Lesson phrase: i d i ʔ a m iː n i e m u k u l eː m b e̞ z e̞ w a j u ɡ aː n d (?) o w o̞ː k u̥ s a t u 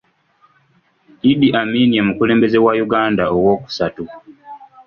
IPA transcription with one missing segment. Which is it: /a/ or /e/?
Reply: a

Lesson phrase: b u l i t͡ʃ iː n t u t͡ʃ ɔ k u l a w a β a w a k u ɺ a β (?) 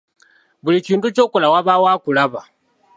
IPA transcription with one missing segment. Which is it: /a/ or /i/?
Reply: a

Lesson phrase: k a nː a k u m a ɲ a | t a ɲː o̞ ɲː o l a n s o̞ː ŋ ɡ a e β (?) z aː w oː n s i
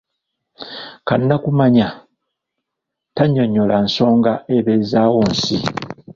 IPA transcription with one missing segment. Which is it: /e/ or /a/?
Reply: e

